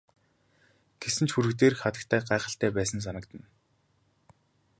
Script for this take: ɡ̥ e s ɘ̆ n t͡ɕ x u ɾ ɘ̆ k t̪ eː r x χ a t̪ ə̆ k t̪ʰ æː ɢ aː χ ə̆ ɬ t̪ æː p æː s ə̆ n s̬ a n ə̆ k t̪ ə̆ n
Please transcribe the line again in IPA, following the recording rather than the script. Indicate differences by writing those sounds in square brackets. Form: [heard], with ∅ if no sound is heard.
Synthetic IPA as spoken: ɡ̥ e s ɘ̆ n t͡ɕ x u ɾ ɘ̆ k t̪ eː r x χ a t̪ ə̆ k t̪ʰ æː ɢ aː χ ə̆ ɬ t̪ æː p æː s ə̆ n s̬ a n ə̆ k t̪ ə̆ n